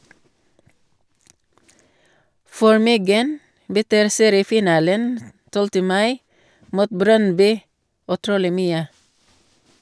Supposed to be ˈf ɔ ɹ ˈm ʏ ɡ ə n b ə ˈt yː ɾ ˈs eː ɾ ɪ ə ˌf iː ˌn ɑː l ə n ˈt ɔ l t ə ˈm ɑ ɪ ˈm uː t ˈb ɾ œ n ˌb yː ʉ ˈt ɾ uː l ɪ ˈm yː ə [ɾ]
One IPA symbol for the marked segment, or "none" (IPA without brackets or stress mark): none